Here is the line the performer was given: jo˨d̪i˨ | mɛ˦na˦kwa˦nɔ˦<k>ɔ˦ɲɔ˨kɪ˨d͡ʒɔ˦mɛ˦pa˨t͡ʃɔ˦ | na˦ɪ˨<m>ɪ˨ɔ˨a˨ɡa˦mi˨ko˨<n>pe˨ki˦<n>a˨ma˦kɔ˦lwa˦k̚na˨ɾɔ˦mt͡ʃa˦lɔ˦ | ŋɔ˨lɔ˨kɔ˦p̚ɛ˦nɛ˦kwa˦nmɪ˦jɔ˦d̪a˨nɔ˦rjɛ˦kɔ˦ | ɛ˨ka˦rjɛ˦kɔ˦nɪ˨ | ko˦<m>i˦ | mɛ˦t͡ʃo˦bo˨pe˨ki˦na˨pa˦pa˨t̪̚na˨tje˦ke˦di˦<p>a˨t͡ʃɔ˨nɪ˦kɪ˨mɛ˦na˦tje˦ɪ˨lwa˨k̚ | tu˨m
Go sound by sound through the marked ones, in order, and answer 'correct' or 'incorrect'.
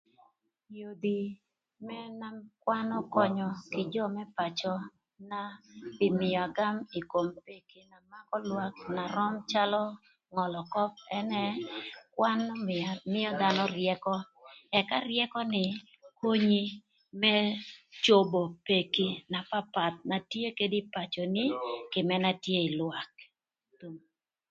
correct, correct, incorrect, correct, incorrect, correct

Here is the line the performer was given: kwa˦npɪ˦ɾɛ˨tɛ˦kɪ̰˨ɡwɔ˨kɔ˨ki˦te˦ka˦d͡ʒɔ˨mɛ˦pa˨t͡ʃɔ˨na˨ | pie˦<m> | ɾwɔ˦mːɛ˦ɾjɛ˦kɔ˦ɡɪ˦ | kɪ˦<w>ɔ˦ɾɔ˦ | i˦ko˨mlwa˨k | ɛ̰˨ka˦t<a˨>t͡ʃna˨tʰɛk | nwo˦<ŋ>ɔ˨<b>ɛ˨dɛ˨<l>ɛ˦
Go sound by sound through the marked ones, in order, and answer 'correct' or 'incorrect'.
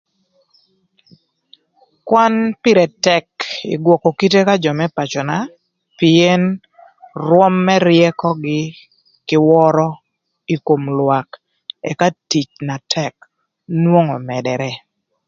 incorrect, correct, incorrect, correct, incorrect, incorrect

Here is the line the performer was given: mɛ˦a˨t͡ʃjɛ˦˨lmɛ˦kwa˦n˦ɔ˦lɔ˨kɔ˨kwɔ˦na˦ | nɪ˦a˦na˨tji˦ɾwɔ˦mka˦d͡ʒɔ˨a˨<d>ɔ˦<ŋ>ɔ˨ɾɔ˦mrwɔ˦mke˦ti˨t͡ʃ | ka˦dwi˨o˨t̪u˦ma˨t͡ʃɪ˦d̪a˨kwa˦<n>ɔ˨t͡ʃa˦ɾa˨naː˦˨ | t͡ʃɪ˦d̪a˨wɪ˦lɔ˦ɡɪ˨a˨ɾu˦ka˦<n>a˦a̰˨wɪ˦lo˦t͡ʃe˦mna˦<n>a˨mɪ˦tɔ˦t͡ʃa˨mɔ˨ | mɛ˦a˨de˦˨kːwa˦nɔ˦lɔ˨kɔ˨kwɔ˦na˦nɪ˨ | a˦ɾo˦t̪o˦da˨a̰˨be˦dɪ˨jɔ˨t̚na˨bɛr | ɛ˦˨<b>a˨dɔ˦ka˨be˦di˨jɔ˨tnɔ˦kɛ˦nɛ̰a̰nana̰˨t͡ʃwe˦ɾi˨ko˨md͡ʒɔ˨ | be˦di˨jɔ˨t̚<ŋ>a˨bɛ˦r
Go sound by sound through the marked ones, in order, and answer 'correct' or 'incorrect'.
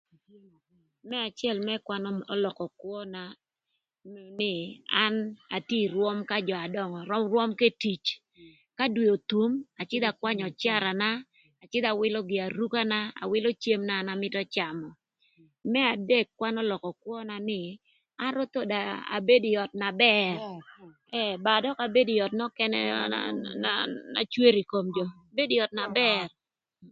correct, correct, incorrect, correct, correct, correct, incorrect

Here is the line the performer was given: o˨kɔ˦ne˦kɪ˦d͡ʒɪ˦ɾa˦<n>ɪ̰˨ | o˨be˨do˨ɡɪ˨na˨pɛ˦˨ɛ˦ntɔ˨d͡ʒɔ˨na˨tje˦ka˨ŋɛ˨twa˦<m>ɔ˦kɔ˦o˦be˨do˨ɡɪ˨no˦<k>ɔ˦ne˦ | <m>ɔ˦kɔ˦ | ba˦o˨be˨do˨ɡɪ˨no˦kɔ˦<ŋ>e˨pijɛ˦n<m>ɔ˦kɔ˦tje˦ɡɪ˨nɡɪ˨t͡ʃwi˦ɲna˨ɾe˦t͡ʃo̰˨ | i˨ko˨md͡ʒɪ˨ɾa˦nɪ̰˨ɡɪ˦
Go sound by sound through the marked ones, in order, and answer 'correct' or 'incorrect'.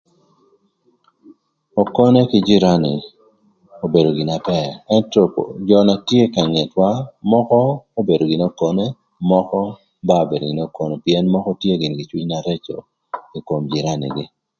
correct, correct, correct, correct, incorrect, correct

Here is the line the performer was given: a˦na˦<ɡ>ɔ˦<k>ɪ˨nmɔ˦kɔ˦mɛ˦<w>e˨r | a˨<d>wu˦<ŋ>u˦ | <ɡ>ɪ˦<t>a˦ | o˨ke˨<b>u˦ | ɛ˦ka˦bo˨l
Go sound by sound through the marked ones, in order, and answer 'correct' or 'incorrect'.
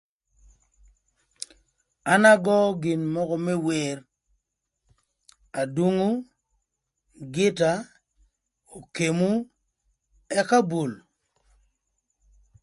correct, incorrect, correct, correct, correct, correct, correct, incorrect

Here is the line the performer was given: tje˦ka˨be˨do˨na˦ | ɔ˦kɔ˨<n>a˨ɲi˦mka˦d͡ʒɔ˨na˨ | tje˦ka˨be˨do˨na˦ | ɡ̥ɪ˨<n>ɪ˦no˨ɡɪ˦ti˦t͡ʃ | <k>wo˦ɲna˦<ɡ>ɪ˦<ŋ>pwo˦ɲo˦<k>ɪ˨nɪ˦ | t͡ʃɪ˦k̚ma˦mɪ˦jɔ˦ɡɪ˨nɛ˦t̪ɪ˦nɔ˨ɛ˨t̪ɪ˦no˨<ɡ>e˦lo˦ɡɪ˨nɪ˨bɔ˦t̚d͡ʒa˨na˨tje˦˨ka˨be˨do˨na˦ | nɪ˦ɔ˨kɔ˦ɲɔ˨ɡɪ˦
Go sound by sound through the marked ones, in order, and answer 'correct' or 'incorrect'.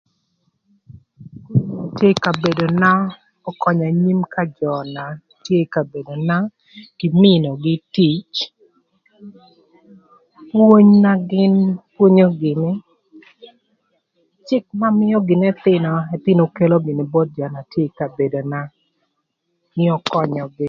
incorrect, incorrect, incorrect, correct, incorrect, incorrect, incorrect

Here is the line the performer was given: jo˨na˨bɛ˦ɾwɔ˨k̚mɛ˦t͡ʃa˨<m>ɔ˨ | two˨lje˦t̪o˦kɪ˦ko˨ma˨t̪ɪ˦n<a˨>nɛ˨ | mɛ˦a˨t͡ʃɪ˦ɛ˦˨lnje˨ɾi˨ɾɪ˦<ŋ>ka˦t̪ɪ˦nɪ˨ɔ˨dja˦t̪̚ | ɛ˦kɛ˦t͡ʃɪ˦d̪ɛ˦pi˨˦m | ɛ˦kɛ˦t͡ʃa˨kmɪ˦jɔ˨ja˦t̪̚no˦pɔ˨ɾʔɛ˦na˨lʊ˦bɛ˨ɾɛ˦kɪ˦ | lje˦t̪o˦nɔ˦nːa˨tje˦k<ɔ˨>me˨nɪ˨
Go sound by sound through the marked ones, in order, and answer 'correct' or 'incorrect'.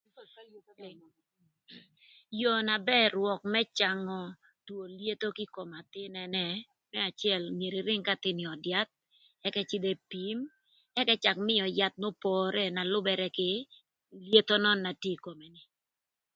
incorrect, incorrect, correct, incorrect

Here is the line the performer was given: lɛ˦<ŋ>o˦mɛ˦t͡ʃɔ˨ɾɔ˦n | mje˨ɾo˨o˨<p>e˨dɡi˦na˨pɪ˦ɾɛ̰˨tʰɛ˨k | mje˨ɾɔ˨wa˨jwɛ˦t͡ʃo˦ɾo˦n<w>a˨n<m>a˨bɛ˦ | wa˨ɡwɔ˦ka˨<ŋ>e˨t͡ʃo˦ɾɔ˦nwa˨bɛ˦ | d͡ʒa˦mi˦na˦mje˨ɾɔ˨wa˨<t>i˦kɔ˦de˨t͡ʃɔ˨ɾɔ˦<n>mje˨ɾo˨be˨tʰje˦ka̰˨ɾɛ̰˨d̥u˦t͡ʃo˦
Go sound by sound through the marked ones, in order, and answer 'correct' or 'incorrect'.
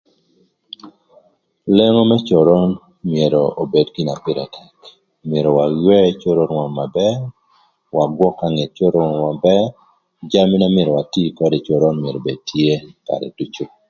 correct, incorrect, correct, correct, correct, correct, correct

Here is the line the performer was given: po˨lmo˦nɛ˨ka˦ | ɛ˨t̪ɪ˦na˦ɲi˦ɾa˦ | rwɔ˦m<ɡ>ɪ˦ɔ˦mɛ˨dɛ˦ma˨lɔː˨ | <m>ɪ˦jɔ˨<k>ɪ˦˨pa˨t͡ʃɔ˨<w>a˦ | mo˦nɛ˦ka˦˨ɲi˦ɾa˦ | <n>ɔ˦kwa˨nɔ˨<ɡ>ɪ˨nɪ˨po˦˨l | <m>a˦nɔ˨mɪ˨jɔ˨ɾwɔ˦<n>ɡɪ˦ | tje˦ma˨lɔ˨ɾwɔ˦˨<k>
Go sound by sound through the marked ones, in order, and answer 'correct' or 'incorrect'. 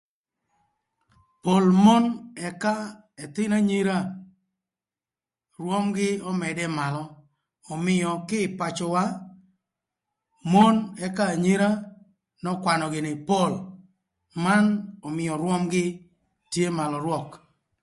correct, correct, correct, correct, correct, correct, correct, incorrect, correct

